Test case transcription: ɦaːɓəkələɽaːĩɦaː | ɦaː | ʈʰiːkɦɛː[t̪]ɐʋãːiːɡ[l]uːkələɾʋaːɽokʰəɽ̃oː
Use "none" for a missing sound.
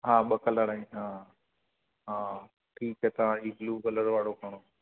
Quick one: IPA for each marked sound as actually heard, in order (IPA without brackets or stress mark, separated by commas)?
t̪, l